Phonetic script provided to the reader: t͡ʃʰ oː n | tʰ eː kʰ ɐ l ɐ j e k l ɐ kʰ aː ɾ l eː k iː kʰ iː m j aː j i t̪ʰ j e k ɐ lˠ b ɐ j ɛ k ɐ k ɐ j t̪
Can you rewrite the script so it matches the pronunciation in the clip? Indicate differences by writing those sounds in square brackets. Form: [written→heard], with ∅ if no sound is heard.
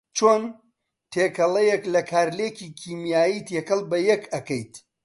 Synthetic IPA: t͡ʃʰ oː n | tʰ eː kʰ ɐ l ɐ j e k l ɐ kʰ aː ɾ l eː k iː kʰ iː m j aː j i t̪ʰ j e k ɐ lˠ b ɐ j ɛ k ɐ k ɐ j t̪